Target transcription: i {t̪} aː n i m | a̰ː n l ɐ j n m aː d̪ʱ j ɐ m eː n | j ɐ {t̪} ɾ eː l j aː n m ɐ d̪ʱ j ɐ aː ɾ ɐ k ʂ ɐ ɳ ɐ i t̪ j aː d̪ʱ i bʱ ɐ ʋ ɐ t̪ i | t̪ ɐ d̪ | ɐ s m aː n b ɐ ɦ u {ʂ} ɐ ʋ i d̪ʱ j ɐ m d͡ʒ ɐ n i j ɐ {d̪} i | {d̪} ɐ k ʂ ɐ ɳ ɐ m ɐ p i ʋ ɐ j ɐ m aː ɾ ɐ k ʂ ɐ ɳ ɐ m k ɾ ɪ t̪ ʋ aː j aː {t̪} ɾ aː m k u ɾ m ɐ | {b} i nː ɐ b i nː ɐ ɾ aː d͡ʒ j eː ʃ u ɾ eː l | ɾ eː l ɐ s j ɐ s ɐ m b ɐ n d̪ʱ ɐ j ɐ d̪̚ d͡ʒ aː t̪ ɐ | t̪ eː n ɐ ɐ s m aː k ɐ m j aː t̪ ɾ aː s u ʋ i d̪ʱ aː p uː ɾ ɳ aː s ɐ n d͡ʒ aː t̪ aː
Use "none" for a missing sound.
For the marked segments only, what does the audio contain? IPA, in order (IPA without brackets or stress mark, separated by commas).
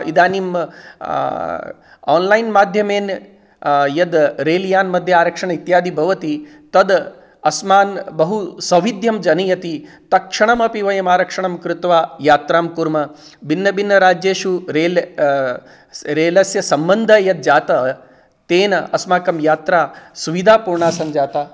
d̪, d̪, s, t̪, t̪, t̪, b